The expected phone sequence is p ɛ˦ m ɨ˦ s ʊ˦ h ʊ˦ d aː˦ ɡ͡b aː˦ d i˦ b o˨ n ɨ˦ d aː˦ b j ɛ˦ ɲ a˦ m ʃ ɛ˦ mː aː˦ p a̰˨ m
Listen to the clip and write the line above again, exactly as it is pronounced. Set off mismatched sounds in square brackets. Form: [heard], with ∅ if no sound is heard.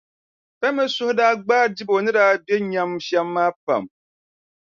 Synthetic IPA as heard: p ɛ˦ m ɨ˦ s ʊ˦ h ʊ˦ d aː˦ ɡ͡b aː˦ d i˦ b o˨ n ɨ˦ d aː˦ b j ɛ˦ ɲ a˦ m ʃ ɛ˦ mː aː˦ p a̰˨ m